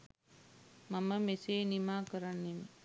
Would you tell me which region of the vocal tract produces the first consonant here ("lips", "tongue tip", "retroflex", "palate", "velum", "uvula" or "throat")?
lips